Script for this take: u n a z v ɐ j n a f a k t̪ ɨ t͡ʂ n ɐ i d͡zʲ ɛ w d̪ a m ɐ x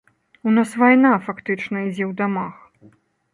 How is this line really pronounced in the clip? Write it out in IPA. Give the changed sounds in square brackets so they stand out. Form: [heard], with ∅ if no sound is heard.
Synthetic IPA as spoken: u n a [s] v [a] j n a f a k t̪ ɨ t͡ʂ n ɐ i d͡zʲ ɛ w d̪ a m [a] x